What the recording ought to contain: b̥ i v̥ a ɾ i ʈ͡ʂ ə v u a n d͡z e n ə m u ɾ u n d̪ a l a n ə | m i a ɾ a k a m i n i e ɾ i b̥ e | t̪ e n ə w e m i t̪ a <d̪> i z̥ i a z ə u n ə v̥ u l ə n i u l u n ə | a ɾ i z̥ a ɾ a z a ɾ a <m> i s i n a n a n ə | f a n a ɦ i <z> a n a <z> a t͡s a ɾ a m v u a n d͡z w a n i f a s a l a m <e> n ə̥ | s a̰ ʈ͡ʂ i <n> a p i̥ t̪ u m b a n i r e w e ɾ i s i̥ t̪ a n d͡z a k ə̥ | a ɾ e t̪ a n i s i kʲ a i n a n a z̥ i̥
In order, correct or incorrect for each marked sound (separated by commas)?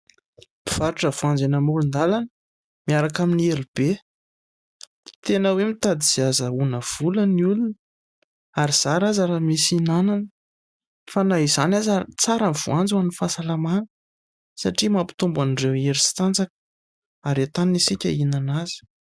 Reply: correct, correct, correct, correct, incorrect, incorrect